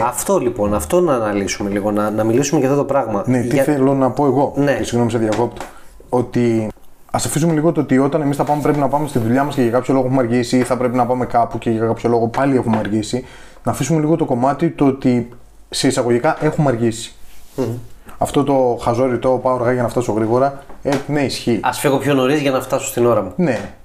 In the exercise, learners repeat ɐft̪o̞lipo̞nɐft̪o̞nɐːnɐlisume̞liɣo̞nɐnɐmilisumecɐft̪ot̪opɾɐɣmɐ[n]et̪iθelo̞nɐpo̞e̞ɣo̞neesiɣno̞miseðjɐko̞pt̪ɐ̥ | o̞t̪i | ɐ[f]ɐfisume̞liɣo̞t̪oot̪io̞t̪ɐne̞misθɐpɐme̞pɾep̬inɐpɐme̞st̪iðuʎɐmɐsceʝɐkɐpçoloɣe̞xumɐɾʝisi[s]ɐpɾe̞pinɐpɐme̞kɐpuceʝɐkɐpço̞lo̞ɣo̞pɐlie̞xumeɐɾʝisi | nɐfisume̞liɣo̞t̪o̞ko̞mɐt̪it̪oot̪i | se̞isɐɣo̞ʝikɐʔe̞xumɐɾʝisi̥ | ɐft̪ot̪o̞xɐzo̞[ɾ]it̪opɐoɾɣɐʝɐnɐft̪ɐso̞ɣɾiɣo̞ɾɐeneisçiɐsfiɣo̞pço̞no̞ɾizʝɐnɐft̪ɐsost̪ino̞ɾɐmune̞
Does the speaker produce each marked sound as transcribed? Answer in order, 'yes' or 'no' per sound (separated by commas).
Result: yes, no, no, yes